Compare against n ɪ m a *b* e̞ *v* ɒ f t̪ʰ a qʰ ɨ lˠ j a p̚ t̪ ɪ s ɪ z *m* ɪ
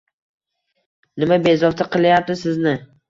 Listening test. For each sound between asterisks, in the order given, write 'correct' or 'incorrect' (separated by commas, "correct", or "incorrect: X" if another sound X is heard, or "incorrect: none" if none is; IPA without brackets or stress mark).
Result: correct, incorrect: z, incorrect: n